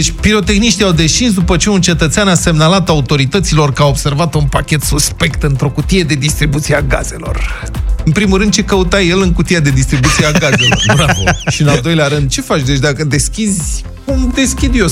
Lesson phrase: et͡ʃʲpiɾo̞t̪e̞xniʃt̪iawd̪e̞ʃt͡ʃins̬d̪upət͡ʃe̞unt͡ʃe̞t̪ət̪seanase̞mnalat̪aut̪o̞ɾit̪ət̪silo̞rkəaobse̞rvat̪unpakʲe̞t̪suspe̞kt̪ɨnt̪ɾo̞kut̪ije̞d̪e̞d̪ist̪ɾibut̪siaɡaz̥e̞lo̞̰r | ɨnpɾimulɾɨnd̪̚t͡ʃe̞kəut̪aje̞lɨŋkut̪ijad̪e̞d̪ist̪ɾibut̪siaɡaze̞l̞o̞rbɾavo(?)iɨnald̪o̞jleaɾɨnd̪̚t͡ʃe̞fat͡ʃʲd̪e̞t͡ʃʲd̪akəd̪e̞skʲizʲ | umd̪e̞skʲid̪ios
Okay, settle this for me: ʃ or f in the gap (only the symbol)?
ʃ